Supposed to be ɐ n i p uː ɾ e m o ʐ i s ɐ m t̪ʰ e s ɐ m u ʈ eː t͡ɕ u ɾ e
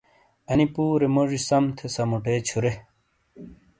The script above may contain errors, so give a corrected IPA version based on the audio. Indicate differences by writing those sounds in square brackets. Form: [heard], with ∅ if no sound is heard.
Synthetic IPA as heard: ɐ n i p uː ɾ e m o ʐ i s ɐ m t̪ʰ e s ɐ m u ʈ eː [t͡ɕʰ] u ɾ e